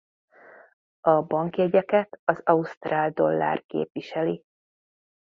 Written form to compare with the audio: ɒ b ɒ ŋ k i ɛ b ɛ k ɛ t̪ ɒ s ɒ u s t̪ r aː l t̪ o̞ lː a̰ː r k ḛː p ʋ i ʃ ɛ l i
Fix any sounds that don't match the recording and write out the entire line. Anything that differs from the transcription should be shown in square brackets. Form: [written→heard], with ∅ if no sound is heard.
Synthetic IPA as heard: ɒ b ɒ ŋ k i ɛ [b→ɟ] ɛ k ɛ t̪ ɒ [s→z] ɒ u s t̪ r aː l [t̪→d̪] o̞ lː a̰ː r k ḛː p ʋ i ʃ ɛ l i